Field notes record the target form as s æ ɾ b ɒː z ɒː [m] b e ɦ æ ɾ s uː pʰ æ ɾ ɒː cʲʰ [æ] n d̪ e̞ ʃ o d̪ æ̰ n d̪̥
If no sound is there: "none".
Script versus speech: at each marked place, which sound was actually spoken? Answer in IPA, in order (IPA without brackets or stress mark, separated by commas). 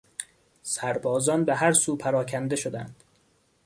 n, æ